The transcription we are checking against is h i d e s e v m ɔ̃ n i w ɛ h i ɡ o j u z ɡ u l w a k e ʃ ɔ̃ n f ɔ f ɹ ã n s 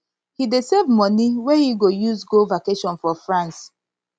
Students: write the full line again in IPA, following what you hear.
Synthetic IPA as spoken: h i d e s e v m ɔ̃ n i w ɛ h i ɡ o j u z ɡ o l v a k e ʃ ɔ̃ n f ɔ f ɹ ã n s